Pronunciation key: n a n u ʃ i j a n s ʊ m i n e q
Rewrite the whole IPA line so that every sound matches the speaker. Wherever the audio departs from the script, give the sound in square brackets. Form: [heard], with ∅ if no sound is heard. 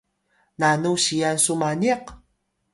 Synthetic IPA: n a n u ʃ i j a n s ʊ m [a] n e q